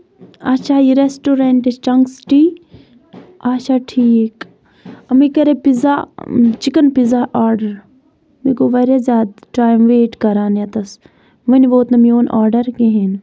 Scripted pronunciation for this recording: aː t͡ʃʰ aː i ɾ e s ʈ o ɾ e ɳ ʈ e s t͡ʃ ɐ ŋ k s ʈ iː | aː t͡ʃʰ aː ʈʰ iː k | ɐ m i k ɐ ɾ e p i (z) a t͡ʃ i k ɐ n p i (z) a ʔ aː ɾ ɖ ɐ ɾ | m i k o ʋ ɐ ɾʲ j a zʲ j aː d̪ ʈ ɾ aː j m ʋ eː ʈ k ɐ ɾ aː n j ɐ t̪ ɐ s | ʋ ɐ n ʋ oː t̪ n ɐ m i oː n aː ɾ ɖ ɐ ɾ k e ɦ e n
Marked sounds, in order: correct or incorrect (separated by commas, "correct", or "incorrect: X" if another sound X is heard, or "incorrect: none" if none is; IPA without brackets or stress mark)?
correct, correct